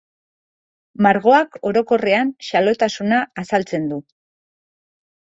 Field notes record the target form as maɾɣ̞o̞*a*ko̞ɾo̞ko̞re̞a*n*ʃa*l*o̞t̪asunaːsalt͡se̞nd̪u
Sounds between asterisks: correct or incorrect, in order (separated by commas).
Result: correct, correct, correct